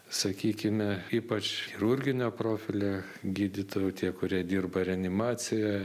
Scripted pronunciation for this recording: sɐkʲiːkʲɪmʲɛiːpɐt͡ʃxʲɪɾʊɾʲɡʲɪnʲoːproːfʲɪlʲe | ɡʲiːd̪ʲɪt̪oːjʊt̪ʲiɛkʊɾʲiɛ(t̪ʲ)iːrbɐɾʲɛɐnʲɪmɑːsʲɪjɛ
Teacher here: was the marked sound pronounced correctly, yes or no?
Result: no